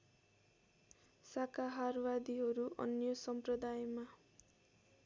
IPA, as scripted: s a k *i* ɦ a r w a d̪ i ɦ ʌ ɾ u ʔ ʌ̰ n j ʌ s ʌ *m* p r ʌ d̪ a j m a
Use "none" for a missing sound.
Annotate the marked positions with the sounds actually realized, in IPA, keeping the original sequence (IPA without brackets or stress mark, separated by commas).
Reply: a, m